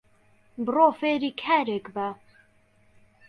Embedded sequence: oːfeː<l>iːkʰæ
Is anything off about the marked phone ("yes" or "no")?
yes